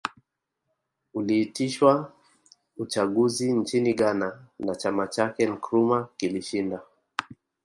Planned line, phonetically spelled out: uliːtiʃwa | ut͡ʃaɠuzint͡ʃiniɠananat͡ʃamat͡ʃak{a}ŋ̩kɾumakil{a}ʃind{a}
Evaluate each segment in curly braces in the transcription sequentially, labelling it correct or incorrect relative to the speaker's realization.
incorrect, incorrect, correct

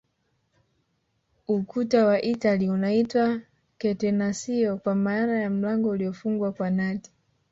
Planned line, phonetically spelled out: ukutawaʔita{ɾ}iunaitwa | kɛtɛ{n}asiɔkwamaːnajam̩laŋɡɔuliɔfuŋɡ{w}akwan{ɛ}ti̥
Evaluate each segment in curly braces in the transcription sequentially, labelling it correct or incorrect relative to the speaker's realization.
incorrect, correct, correct, incorrect

